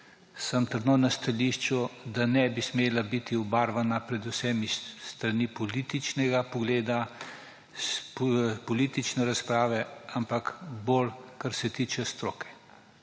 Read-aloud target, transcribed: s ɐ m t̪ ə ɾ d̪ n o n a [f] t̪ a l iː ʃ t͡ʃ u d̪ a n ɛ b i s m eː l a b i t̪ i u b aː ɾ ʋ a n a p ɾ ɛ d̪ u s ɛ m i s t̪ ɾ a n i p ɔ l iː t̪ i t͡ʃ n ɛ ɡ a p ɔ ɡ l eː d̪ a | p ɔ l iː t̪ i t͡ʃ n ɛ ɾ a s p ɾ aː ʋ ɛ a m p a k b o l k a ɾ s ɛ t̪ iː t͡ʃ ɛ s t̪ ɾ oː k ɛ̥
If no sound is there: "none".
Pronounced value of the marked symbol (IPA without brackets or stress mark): s